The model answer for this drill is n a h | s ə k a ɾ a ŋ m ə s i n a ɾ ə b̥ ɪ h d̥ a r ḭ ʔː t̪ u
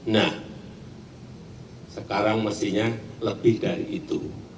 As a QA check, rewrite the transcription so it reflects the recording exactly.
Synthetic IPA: n a h | s ə k a ɾ a ŋ m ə s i ɲ a l ə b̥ ɪ h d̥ a ɾ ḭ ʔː t̪ u